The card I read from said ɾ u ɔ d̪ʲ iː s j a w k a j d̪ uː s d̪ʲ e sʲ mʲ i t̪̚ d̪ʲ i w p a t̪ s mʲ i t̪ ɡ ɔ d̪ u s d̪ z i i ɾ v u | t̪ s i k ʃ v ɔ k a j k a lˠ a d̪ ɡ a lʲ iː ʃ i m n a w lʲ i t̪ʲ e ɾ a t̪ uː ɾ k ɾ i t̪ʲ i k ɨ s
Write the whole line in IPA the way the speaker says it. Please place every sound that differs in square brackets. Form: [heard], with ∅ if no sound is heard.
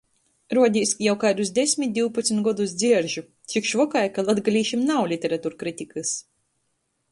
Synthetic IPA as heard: ɾ u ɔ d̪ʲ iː s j a w k a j d̪ [u] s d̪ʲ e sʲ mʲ i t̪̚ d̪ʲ i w p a t̪ s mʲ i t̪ ɡ ɔ d̪ u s d̪ z i [ɛ] ɾ [ʒ] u | t̪ s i k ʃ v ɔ k a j k a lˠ a d̪ ɡ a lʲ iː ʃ i m n a w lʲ i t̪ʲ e ɾ a t̪ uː ɾ k ɾ i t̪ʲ i k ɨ s